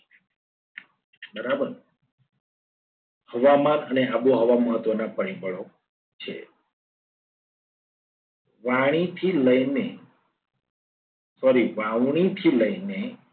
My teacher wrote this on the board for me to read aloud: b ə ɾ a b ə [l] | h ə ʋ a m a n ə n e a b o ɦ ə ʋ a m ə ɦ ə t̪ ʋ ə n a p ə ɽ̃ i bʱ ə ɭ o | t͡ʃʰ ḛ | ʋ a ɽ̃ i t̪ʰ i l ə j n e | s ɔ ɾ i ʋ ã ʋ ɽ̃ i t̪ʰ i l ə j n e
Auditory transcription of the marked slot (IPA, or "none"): ɾ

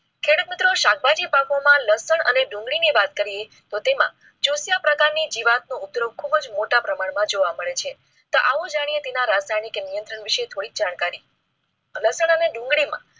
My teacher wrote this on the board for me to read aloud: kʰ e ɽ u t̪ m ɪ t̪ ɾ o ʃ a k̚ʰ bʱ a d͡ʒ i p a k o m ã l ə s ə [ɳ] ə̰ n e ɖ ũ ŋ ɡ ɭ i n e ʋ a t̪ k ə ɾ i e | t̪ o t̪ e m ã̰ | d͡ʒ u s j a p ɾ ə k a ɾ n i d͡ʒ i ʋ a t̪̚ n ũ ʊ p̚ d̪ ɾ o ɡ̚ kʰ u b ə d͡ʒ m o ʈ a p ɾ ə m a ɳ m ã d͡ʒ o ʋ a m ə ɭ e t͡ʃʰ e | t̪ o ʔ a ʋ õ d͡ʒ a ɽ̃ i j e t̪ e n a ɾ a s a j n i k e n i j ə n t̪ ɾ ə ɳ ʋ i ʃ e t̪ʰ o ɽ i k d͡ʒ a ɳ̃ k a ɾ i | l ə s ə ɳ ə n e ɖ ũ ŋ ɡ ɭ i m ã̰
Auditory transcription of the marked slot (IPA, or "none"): ɳ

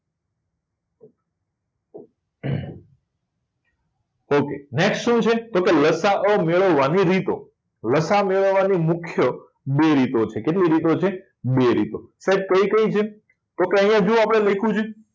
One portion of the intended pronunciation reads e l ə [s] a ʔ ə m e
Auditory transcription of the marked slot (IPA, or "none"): s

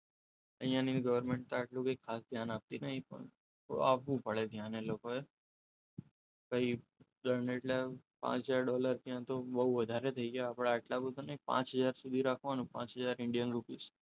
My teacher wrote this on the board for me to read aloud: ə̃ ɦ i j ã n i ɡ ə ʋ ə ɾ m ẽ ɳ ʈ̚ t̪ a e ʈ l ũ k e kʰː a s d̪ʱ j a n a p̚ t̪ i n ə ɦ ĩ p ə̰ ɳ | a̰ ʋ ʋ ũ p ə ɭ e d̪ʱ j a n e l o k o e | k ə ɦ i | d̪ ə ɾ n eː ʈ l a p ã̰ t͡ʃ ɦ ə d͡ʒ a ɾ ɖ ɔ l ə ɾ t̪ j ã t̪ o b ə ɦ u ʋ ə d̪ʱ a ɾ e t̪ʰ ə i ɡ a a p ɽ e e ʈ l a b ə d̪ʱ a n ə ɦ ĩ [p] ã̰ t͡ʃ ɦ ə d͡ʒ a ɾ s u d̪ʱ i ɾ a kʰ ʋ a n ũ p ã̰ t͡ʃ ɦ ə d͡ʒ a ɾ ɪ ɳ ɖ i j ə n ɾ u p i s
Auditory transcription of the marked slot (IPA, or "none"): p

